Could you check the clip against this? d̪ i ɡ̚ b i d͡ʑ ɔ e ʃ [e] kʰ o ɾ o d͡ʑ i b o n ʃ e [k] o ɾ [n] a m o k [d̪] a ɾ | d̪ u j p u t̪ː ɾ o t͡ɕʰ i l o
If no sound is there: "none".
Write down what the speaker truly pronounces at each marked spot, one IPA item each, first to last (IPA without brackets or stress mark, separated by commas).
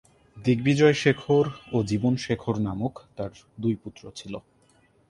e, kʰ, n, t̪